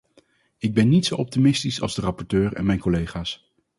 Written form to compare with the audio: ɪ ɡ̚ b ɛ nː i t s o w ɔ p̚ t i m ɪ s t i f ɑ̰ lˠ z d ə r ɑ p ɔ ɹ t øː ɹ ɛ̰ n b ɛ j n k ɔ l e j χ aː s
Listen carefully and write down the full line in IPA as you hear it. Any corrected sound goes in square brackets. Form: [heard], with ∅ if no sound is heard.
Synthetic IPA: ɪ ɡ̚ b ɛ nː i t s o w ɔ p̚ t i m ɪ s t i [s] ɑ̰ lˠ z d ə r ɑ p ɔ ɹ t øː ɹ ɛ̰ n [m] ɛ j n k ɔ l e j χ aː s